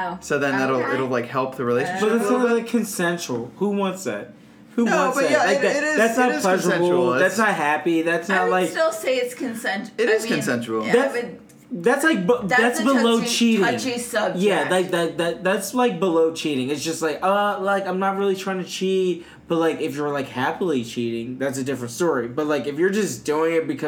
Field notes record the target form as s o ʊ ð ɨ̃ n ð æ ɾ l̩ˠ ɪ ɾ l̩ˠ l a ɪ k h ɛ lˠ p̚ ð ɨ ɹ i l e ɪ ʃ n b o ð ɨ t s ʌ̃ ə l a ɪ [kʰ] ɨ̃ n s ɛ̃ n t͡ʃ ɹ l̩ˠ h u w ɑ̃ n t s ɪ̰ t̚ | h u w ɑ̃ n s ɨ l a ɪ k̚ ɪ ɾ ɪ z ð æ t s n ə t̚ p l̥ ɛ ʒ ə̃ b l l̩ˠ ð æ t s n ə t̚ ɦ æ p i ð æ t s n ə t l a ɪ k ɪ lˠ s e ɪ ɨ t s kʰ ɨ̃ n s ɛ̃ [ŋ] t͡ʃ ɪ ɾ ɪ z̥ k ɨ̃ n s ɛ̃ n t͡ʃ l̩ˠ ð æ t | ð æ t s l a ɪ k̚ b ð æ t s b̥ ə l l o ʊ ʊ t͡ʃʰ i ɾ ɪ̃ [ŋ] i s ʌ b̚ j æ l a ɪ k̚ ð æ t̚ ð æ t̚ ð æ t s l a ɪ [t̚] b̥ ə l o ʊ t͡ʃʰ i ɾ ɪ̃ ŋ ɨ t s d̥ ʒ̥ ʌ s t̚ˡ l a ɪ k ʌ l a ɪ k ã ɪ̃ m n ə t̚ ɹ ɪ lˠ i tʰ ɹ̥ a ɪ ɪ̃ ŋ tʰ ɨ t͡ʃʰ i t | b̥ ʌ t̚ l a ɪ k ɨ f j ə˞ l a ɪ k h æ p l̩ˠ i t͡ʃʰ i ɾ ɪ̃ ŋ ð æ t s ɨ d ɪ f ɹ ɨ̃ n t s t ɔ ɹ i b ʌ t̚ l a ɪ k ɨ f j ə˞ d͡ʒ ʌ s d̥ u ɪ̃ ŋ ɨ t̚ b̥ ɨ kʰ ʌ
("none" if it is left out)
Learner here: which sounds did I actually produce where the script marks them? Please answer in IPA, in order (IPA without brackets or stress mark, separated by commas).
kʰ, n, ŋ, k̚